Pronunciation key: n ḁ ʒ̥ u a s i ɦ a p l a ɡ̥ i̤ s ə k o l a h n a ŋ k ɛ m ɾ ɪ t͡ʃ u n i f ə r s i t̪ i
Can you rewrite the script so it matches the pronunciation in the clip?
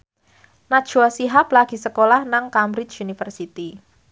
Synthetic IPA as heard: n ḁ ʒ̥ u a s i ɦ a p l a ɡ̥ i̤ s ə k o l a h n a ŋ k a m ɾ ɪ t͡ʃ u n i f ə r s i t̪ i

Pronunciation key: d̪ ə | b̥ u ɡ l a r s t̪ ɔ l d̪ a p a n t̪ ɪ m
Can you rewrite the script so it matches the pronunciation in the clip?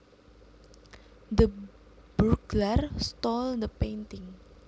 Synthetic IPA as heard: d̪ ə | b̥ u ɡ l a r s t̪ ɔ l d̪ ə p e n t̪ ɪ ŋ

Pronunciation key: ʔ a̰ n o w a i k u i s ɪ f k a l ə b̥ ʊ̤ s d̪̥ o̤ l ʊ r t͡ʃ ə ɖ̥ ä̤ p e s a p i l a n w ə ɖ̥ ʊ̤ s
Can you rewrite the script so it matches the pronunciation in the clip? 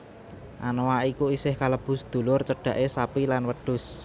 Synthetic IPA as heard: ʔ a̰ n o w a i k u i s ɪ h k a l ə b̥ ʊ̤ s d̪̥ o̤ l ʊ r t͡ʃ ə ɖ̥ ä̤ ʔ e s a p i l a n w ə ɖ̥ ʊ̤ s

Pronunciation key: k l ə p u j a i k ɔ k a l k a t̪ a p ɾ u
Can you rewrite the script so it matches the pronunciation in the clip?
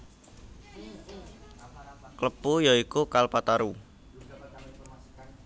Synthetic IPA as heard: k l ə p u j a i k u k a l p a t̪ a ɾ u

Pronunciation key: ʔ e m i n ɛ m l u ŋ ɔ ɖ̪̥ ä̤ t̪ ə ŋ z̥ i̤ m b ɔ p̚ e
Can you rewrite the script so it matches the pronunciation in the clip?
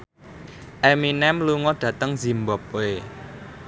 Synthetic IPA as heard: ʔ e m i n ɛ m l u ŋ ɔ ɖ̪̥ ä̤ t̪ ə ŋ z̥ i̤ m b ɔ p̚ e

